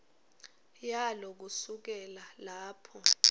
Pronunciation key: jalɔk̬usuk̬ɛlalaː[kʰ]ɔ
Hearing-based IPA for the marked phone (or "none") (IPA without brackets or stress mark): pʰ